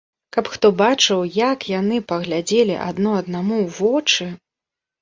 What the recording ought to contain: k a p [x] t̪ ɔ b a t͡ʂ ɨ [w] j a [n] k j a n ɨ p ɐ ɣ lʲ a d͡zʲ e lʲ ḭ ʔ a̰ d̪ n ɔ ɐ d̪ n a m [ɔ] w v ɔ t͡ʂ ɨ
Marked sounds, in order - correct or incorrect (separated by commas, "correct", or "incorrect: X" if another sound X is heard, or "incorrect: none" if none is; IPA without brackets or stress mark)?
correct, correct, incorrect: none, incorrect: u